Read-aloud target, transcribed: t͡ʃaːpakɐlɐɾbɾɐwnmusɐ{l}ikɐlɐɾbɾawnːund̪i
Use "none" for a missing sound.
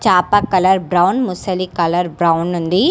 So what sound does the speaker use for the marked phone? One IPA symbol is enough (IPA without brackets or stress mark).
l